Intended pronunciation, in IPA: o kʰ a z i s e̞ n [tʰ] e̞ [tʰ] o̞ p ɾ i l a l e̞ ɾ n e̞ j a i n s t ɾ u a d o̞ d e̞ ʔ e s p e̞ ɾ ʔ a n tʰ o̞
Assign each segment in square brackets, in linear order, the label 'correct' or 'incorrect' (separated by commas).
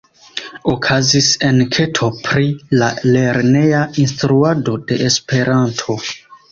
incorrect, correct